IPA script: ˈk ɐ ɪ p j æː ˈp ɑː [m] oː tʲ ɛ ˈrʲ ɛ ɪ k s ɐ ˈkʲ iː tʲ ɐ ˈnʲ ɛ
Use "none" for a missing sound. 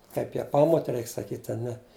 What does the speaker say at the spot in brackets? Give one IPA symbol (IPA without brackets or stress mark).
m